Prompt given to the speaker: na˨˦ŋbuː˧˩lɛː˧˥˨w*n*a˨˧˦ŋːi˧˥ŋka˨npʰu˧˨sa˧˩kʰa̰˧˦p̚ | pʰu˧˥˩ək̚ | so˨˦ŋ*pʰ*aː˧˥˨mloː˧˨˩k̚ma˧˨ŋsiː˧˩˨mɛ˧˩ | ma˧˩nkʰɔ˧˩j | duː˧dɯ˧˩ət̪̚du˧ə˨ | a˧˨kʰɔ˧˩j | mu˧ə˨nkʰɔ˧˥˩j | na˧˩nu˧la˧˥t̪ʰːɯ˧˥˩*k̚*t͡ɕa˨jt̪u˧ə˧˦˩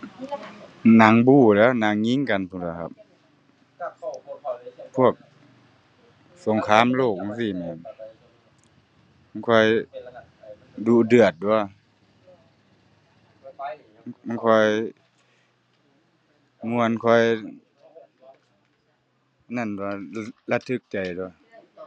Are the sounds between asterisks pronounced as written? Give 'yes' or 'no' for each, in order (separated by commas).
yes, no, yes